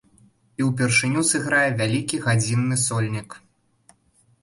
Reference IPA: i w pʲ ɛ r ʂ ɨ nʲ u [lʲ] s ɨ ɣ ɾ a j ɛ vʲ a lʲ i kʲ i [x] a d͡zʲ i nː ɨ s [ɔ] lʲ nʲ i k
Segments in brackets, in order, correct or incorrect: incorrect: none, incorrect: ɣ, correct

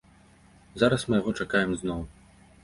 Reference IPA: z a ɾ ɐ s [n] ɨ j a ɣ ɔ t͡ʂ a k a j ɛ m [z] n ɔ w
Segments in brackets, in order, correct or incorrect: incorrect: m, correct

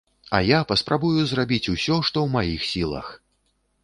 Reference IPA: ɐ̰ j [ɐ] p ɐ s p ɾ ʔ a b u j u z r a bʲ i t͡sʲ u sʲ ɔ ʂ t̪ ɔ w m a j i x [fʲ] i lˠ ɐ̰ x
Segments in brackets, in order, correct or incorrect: incorrect: a, incorrect: sʲ

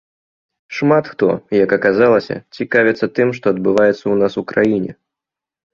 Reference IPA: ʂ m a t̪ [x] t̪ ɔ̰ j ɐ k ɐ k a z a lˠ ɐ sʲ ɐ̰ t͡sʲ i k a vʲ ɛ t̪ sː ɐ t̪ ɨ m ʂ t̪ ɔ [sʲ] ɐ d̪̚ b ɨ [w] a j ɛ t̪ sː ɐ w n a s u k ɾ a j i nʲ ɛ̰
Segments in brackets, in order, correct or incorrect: correct, incorrect: none, incorrect: v

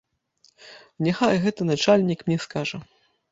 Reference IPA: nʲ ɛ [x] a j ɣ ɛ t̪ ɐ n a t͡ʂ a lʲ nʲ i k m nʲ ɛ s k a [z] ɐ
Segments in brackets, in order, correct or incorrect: correct, incorrect: ʐ

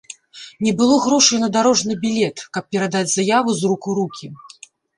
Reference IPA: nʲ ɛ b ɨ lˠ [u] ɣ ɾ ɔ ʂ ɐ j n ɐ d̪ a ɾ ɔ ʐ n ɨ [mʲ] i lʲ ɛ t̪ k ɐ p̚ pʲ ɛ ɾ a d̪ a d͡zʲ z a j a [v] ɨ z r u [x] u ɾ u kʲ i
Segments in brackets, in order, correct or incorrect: incorrect: ɔ, incorrect: bʲ, correct, incorrect: k

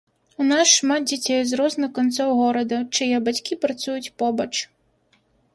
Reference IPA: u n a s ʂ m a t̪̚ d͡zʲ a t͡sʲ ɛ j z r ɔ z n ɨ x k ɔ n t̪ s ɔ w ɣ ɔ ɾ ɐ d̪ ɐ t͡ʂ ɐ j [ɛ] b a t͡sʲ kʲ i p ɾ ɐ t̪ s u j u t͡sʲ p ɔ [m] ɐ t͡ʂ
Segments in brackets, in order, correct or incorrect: correct, incorrect: b

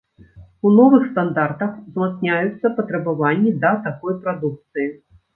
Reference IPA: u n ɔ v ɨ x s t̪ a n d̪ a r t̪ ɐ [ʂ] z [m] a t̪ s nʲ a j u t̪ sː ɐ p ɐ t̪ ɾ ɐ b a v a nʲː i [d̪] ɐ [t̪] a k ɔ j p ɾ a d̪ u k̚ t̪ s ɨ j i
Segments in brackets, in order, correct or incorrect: incorrect: x, correct, correct, correct

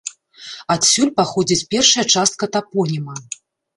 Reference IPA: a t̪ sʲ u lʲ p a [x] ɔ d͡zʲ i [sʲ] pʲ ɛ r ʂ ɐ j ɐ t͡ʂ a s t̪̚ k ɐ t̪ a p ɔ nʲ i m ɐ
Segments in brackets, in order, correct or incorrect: correct, incorrect: t͡sʲ

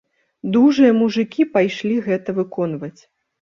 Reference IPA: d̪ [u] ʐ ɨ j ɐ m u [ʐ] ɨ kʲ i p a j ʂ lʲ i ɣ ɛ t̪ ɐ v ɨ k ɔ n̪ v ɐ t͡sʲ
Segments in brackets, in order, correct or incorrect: correct, correct

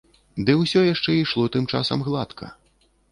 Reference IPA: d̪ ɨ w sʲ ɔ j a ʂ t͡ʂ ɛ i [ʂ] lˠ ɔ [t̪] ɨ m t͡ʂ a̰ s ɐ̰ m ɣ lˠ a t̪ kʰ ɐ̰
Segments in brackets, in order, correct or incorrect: correct, correct

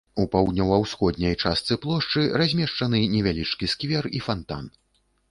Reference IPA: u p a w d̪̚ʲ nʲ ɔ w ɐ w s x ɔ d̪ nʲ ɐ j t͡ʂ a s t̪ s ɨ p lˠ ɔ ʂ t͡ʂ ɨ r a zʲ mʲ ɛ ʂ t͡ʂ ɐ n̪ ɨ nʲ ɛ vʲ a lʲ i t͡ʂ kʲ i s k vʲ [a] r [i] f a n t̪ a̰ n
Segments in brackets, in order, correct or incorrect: incorrect: ɛ, correct

